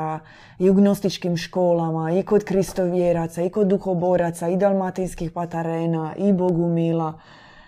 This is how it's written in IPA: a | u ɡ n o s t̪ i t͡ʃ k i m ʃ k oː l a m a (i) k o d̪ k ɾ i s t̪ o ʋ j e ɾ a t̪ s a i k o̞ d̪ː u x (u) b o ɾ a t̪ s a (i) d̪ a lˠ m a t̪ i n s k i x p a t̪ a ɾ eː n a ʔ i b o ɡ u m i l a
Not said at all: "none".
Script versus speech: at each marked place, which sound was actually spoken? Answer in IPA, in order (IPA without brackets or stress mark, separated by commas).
i, o, i